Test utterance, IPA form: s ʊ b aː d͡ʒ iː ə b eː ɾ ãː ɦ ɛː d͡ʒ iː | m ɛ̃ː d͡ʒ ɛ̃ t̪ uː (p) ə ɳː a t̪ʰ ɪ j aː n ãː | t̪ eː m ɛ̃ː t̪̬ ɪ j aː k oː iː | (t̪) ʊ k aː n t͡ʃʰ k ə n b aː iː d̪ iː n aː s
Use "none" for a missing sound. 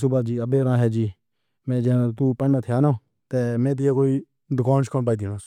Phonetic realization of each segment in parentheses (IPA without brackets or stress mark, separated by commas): p, d̪